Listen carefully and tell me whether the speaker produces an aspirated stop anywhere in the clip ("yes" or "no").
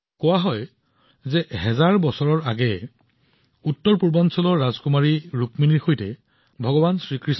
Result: no